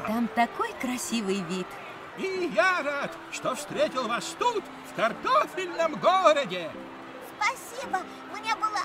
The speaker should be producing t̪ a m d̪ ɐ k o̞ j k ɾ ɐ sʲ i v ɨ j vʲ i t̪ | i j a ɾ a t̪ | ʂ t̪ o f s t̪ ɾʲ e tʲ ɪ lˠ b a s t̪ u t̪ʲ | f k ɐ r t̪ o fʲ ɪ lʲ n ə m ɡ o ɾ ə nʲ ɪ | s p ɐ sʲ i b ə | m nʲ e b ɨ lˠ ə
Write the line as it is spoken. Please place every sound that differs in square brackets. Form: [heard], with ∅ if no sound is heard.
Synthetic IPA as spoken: t̪ a m [t̪] ɐ k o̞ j k ɾ ɐ sʲ i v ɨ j vʲ i t̪ | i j a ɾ a t̪ | ʂ t̪ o f s t̪ ɾʲ e tʲ ɪ lˠ [v] a s t̪ u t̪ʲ | f k ɐ r t̪ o fʲ ɪ lʲ n ə m ɡ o ɾ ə [dʲ] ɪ | s p ɐ sʲ i b ə | m nʲ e b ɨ lˠ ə